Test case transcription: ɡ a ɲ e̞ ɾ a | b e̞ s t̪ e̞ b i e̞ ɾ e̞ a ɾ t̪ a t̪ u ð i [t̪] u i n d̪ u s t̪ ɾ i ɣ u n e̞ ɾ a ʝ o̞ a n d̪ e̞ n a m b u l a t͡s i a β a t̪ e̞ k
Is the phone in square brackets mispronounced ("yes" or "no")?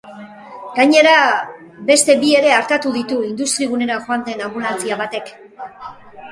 no